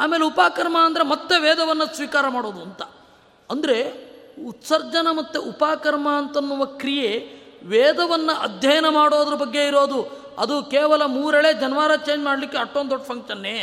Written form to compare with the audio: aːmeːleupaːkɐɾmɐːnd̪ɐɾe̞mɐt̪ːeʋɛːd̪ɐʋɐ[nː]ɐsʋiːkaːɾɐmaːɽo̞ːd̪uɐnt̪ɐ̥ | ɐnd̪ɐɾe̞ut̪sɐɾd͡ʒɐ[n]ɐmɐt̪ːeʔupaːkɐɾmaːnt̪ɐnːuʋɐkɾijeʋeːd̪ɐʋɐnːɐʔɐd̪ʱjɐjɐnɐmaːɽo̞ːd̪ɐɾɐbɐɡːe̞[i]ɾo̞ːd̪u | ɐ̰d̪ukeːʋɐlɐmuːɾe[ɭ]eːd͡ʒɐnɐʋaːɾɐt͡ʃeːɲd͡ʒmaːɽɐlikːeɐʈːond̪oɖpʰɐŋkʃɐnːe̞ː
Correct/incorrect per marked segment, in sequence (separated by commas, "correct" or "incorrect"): correct, correct, correct, correct